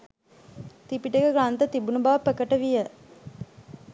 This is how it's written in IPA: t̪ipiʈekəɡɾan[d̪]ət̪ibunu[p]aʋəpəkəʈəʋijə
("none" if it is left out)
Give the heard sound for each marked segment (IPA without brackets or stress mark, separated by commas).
t̪, b